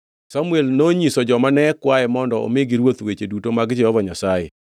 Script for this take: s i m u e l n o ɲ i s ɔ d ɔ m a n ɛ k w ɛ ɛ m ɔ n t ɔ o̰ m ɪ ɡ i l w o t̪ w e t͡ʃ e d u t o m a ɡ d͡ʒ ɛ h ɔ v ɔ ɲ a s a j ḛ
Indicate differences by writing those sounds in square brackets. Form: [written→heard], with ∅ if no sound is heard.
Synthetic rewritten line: s [i→a] m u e l n o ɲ i s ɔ [d→d͡ʒ] ɔ m a n ɛ k w [ɛ→a] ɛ m ɔ n [t→d] ɔ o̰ m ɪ ɡ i [l→ɾ] w o t̪ w e t͡ʃ e d u t o m a ɡ d͡ʒ ɛ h ɔ v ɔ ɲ a s a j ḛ

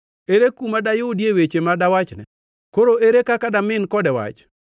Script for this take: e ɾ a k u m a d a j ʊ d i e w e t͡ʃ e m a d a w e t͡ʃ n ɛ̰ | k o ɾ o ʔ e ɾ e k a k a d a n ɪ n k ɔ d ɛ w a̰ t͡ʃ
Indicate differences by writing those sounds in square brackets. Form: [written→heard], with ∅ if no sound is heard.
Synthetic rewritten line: e ɾ [a→e] k u m a d a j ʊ d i e w e t͡ʃ e m a d a w [e→a] t͡ʃ n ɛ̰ | k o ɾ o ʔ e ɾ e k a k a d a [n→m] ɪ n k ɔ d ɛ w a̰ t͡ʃ

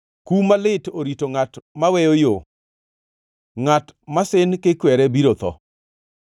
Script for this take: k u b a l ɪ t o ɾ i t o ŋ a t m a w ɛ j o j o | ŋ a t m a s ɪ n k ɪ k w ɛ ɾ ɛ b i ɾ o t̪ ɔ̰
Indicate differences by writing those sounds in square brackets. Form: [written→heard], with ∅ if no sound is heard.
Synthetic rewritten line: k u [b→m] a l ɪ t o ɾ i t o ŋ a t m a w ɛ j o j o | ŋ a t m a s ɪ n k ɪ k w ɛ ɾ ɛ b i ɾ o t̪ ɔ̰

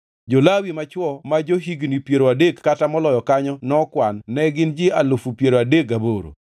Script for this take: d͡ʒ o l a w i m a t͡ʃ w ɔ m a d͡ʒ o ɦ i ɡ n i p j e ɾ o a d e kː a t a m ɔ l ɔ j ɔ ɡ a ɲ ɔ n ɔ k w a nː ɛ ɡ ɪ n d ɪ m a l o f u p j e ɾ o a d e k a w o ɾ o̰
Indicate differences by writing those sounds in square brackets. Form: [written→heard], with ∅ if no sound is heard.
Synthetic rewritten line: d͡ʒ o l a w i m a t͡ʃ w ɔ m a d͡ʒ o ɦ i ɡ n i p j e ɾ o a d e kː a t a m ɔ l ɔ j ɔ [ɡ→k] a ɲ ɔ n ɔ k w a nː ɛ ɡ ɪ n [d→d͡ʒ] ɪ [m→∅] a l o f u p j e ɾ o a d e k a [w→b] o ɾ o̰

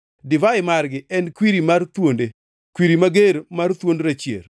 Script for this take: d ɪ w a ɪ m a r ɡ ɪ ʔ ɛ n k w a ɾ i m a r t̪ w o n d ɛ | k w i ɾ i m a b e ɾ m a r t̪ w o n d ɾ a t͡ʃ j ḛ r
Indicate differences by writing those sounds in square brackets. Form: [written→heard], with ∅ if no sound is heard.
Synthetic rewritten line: d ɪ [w→v] a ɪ m a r ɡ ɪ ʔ ɛ n k w [a→i] ɾ i m a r t̪ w o n d [ɛ→e] | k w i ɾ i m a [b→ɡ] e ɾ m a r t̪ w o n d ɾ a t͡ʃ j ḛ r

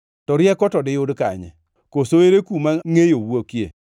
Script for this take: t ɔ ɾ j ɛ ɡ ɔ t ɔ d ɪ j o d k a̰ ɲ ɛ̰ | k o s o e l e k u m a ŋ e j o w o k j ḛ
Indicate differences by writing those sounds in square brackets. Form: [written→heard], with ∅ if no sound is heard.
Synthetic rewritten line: t ɔ ɾ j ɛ [ɡ→k] ɔ t ɔ d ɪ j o d k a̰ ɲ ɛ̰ | k o s o e [l→ɾ] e k u m a ŋ e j o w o k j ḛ

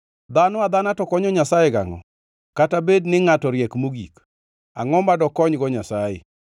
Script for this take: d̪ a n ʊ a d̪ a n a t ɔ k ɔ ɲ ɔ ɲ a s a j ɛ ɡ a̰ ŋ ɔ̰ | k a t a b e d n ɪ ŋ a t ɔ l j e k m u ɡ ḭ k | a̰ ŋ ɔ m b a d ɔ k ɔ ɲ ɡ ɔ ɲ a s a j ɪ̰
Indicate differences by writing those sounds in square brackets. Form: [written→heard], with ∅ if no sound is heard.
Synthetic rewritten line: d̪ a n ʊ a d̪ a n a t ɔ k ɔ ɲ ɔ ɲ a s a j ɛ ɡ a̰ ŋ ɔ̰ | k a t a b e d n ɪ ŋ a t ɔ [l→ɾ] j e k m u ɡ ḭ k | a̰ ŋ ɔ m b a d ɔ k ɔ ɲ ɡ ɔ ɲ a s a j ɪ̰

